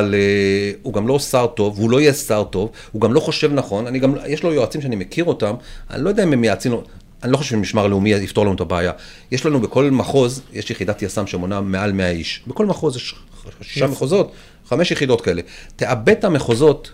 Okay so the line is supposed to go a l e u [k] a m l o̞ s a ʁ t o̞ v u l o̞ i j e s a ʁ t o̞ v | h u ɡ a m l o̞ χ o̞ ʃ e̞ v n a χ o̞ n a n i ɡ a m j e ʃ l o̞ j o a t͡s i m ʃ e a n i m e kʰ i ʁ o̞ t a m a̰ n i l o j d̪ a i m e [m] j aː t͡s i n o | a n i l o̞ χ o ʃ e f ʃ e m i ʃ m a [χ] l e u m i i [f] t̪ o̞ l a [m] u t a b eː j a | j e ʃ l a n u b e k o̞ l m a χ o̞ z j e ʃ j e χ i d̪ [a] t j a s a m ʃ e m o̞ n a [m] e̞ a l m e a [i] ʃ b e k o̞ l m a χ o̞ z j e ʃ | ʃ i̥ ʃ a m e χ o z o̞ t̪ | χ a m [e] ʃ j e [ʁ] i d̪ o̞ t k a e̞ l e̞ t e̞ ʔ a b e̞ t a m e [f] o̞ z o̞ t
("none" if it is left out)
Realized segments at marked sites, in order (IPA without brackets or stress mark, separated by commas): ɡ, m, ʁ, f, n, a, m, i, e, χ, χ